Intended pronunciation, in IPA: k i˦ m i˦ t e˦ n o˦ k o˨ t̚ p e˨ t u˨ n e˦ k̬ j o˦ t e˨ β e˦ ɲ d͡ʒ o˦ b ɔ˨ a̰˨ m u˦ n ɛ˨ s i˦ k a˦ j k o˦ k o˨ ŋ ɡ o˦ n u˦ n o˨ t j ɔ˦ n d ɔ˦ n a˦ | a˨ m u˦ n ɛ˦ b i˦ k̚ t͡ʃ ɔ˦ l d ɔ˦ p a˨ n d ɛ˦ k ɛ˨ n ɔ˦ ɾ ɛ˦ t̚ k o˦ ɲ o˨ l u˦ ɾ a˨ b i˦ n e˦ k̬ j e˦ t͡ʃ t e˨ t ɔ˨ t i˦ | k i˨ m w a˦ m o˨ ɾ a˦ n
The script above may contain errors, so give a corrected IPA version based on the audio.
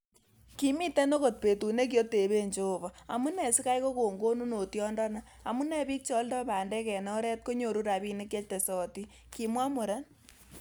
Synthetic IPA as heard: k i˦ m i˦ t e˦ n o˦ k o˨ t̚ p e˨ t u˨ n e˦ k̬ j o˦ t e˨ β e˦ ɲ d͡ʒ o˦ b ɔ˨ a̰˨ m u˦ n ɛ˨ s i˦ k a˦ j k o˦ k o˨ ŋ ɡ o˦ n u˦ n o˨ t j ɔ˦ n d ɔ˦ n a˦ | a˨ m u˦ n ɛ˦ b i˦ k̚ t͡ʃ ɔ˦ l d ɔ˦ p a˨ n d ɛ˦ k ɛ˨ n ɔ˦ ɾ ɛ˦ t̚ k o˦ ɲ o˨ ɾ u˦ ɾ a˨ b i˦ n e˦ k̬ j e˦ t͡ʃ t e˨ s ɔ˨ t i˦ | k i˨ m w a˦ m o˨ ɾ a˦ n

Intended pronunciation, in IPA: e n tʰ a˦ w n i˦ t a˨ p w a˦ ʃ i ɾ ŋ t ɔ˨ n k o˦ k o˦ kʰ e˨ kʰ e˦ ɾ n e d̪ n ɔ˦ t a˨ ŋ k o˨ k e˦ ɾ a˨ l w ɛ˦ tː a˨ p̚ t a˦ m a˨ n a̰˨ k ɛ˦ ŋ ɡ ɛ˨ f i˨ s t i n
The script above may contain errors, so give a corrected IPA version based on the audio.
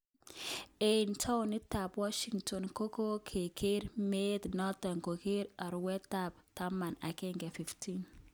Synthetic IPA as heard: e n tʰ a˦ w n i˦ t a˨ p w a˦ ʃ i ŋ t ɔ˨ n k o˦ k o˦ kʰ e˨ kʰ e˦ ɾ m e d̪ n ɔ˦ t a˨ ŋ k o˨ k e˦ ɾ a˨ ɾ w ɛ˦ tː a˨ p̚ t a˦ m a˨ n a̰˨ k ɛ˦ ŋ ɡ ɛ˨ f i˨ f t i n

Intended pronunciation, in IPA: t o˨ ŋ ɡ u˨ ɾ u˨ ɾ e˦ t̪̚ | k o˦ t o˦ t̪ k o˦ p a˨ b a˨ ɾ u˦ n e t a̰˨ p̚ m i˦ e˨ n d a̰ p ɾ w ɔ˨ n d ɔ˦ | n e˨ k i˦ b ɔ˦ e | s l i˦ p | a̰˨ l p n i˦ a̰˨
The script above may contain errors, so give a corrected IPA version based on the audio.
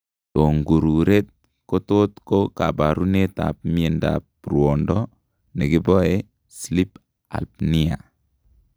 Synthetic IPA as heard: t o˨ ŋ ɡ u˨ ɾ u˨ ɾ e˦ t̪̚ | k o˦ t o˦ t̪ k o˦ k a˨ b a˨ ɾ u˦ n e t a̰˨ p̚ m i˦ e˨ n d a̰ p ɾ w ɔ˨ n d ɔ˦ | n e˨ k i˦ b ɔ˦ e | s l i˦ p | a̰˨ l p n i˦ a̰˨

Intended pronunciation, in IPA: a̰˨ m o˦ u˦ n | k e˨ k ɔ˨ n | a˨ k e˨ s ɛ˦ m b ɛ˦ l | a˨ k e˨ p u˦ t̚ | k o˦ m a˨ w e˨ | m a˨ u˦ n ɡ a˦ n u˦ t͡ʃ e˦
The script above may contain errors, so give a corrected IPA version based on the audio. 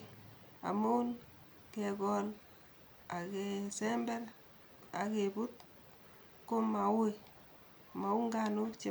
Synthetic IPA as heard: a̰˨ m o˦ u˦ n | k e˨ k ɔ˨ n | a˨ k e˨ s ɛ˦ m b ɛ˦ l | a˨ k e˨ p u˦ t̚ | k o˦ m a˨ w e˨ | m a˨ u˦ ŋ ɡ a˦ n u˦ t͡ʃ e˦

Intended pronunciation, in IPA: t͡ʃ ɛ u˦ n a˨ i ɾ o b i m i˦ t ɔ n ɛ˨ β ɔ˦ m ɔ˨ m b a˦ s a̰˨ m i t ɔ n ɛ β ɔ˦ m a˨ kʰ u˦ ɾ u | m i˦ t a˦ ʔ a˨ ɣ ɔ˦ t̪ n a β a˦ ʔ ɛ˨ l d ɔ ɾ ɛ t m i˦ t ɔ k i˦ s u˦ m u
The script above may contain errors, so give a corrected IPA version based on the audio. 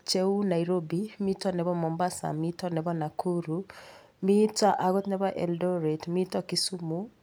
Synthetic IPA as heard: t͡ʃ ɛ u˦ n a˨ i ɾ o b i m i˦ t ɔ n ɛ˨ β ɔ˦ m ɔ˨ m b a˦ s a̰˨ m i t ɔ n ɛ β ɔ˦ n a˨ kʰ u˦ ɾ u | m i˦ t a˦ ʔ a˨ ɣ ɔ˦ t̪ n ɛ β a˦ ʔ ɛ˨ l d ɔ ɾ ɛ t m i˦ t ɔ k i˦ s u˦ m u

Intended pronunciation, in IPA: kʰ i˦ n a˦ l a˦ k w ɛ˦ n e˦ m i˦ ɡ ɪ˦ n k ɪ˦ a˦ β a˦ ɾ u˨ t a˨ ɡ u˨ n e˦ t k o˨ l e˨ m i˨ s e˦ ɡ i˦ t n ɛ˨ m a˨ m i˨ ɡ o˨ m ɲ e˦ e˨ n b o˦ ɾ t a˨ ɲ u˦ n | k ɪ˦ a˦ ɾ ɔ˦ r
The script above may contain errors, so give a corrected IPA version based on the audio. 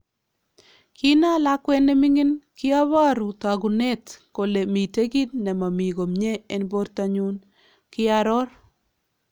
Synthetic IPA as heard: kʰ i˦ n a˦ l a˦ k w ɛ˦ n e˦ m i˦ ŋ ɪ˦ n k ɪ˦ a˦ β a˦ ɾ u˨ t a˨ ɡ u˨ n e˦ t k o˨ l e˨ m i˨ t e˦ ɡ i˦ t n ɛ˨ m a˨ m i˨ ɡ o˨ m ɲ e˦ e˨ n b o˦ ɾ t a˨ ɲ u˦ n | k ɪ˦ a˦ ɾ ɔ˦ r

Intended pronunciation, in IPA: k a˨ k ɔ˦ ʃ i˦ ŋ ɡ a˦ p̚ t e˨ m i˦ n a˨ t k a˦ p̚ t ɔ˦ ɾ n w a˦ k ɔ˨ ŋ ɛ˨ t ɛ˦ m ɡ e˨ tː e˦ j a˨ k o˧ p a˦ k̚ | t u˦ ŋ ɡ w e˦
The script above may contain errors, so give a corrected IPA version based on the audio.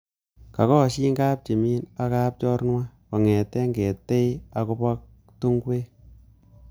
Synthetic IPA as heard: k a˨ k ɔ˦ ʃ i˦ ŋ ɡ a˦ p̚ t͡ʃ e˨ m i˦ n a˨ k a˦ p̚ t͡ʃ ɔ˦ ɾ n w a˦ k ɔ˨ ŋ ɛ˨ t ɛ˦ ŋ ɡ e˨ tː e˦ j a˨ k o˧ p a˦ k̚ | t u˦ ŋ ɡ w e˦

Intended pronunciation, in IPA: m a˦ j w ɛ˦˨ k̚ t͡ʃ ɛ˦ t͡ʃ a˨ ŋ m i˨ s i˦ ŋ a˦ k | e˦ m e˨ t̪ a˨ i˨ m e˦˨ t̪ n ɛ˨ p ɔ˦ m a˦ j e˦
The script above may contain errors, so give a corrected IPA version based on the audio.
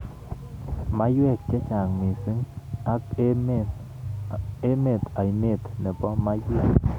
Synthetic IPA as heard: m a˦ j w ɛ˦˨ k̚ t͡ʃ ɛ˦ t͡ʃ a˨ ŋ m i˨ s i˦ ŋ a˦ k | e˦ m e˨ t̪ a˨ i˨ m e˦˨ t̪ n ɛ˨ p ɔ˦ m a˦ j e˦

